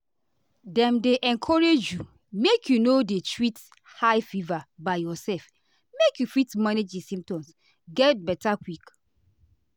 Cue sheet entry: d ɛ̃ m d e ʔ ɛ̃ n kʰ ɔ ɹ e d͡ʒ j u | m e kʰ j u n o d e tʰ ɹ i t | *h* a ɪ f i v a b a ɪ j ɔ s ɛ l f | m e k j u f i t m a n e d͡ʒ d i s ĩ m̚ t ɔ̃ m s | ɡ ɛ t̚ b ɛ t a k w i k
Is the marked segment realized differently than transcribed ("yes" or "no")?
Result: no